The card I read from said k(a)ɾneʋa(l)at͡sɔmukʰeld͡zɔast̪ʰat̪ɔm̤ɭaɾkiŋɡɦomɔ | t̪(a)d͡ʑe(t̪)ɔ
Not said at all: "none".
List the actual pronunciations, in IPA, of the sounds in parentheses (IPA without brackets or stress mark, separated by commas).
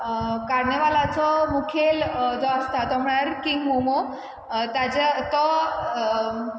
a, l, a, t̪